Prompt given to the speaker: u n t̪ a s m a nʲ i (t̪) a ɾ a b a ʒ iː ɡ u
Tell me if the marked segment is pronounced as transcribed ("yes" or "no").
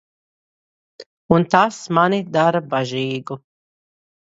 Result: no